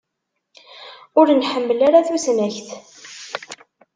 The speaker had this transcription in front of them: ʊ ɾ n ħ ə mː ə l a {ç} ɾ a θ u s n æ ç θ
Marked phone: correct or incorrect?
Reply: incorrect: none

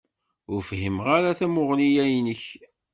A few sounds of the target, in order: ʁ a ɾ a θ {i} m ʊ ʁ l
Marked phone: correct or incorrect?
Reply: incorrect: æ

